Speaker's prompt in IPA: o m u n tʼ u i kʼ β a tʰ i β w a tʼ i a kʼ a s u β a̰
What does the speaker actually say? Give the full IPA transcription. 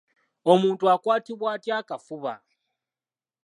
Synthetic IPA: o m u n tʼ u a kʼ w a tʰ i β w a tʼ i a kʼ a f u β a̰